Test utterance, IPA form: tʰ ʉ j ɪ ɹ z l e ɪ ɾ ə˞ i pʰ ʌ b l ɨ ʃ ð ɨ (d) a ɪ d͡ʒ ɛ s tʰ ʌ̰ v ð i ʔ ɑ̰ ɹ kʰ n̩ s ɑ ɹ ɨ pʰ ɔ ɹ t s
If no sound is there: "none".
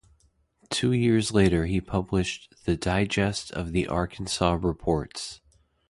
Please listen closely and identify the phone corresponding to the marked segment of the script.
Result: d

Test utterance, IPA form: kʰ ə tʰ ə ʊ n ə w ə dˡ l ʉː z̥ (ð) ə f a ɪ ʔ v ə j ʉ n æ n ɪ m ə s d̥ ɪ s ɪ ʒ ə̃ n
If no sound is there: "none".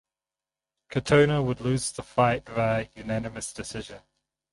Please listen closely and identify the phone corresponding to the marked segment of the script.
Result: ð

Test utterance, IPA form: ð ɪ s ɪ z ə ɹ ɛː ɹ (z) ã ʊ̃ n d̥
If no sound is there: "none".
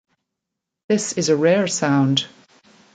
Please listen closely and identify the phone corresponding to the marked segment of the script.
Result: s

